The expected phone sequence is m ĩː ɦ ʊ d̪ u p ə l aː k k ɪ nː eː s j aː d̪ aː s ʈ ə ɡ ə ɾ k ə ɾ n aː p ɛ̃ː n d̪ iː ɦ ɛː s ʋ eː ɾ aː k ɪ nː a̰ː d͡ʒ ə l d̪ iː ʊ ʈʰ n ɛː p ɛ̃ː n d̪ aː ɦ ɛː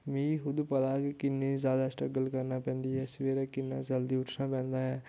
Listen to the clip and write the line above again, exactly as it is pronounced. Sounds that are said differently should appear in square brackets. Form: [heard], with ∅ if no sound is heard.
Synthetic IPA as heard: m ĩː ɦ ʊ d̪ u p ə l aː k k ɪ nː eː [z] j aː d̪ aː s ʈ ə ɡ ə [l] k ə ɾ n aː p ɛ̃ː n d̪ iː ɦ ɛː s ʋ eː ɾ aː k ɪ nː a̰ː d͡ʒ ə l d̪ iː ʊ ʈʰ n [aː] p ɛ̃ː n d̪ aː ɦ ɛː